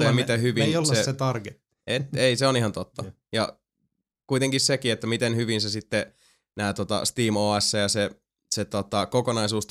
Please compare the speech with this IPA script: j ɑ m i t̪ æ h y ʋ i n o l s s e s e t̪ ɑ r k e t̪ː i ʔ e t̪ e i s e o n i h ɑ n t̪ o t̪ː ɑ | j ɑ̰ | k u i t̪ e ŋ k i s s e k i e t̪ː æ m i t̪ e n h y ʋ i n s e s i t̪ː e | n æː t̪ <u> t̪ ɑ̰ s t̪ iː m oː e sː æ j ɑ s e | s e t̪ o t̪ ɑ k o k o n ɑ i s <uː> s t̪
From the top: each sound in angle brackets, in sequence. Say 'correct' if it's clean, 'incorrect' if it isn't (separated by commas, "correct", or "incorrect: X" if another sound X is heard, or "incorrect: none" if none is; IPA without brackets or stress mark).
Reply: incorrect: o, correct